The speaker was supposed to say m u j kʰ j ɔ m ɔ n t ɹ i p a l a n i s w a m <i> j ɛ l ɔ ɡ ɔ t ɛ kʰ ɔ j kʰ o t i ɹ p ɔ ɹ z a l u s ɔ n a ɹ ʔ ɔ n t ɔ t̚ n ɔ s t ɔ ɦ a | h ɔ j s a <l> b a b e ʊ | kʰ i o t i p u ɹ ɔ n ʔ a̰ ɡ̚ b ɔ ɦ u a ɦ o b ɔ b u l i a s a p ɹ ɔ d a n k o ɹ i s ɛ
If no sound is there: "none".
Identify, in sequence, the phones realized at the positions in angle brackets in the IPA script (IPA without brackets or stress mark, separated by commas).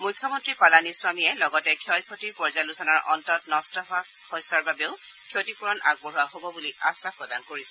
i, ɹ